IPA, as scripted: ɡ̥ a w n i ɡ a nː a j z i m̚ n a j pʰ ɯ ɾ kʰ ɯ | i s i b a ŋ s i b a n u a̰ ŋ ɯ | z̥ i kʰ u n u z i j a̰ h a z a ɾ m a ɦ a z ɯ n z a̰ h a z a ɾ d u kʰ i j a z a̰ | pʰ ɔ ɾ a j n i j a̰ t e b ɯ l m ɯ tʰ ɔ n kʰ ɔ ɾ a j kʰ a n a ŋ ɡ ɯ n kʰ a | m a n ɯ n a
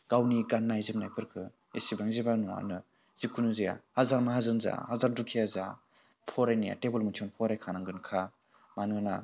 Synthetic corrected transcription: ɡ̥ a w n i ɡ a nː a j z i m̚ n a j pʰ ɯ ɾ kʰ ɯ | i s i b a ŋ z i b a n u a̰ n ɯ | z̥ i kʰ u n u z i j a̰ h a z a ɾ m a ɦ a z ɯ n z a̰ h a z a ɾ d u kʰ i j a z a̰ | pʰ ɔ ɾ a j n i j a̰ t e b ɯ l m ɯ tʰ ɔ n pʰ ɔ ɾ a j kʰ a n a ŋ ɡ ɯ n kʰ a | m a n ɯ n a